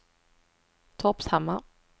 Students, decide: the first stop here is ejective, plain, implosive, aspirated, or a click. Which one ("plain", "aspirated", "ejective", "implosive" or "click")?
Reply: aspirated